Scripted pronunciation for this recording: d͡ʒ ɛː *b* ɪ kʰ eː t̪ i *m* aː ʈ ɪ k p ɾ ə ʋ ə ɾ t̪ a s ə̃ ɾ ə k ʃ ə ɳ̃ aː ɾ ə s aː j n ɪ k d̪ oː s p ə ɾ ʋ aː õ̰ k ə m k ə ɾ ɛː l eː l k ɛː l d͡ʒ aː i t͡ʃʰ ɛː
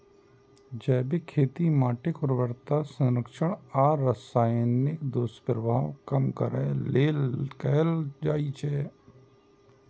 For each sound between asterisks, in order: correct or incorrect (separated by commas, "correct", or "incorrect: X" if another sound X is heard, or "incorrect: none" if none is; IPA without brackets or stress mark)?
correct, correct